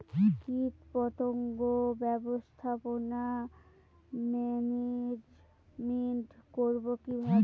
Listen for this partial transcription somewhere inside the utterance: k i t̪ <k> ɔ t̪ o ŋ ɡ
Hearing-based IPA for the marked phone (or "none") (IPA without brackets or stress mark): p